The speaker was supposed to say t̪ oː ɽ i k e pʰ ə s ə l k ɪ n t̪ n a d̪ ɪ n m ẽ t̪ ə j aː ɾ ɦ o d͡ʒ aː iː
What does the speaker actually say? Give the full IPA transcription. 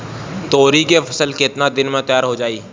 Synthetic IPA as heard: t̪ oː ɾ i k e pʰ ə s ə l k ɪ t̪ n a d̪ ɪ n m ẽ t̪ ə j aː ɾ ɦ o d͡ʒ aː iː

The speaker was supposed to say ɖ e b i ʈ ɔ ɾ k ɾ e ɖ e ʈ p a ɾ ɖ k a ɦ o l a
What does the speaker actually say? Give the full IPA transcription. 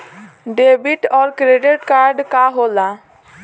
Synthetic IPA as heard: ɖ e b i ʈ ɔ ɾ k ɾ e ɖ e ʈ k a ɾ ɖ k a ɦ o l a

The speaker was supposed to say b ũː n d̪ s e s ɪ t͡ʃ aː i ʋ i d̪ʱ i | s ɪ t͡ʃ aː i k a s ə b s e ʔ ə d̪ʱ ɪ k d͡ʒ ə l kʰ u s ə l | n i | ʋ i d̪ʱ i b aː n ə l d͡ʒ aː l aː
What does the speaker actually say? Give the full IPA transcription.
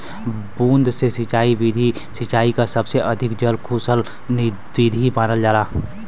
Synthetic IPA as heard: b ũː n d̪ s e s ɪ t͡ʃ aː i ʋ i d̪ʱ i | s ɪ t͡ʃ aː i k a s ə b s e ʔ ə d̪ʱ ɪ k d͡ʒ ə l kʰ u s ə l | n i | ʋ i d̪ʱ i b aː n ə l d͡ʒ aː l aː

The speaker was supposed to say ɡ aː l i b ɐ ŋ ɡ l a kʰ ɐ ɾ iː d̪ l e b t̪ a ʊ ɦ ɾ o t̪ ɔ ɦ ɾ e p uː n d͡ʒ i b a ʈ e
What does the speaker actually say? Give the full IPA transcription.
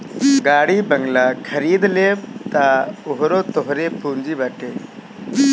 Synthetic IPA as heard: ɡ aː ɽ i b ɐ ŋ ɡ l a kʰ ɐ ɾ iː d̪ l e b t̪ a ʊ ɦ ɾ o t̪ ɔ ɦ ɾ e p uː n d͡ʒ i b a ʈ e

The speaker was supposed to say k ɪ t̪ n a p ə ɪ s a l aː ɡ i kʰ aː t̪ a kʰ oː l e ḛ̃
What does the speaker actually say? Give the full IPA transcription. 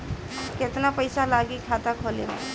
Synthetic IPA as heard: k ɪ t̪ n a p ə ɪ s a l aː ɡ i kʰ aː t̪ a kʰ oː l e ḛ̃

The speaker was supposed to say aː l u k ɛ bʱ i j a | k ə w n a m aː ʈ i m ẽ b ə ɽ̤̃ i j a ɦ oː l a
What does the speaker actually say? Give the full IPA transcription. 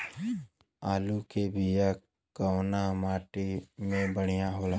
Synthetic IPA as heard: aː l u k e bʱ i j a | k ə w n a m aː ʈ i m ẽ b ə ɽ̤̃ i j a ɦ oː l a

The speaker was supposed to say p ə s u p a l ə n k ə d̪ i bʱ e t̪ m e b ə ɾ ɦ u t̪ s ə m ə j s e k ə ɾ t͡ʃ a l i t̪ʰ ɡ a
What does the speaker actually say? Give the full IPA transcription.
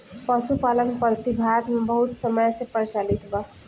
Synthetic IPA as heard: p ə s u p a l ə n p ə t̪ i bʱ a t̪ m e b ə ɦ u t̪ s ə m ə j s e p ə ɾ t͡ʃ a l i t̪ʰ b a

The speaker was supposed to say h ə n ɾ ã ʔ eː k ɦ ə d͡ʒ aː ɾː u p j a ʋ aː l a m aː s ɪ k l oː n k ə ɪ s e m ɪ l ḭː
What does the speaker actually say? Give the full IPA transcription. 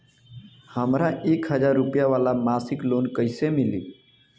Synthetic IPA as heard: h ə m ɾ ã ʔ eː k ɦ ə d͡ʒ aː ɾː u p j a ʋ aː l a m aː s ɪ k l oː n k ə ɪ s e m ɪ l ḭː

